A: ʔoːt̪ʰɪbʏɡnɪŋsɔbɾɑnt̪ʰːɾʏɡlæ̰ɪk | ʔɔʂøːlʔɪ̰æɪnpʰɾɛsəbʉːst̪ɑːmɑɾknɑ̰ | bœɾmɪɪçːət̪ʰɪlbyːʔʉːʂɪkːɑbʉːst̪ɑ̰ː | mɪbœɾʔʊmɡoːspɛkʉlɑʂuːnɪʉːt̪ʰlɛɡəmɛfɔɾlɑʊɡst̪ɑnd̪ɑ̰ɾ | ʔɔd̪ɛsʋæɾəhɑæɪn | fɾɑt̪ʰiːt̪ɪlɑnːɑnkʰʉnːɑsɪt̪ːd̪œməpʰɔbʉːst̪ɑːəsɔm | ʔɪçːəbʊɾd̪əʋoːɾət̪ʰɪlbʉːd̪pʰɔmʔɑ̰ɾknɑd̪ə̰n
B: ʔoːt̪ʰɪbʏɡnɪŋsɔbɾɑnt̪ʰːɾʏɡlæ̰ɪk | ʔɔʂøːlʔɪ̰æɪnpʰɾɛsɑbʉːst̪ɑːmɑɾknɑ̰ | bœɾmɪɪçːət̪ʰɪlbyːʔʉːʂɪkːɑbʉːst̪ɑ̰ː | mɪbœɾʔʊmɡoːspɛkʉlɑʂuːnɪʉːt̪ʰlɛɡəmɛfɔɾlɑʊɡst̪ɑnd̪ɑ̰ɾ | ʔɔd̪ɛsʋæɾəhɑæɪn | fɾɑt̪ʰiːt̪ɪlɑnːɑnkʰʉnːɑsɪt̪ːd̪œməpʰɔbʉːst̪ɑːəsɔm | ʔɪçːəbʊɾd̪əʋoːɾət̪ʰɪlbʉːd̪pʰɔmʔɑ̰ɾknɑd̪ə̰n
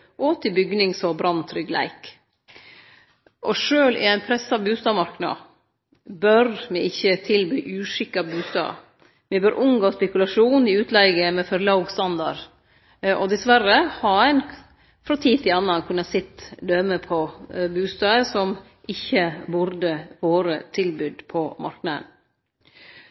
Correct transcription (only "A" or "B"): B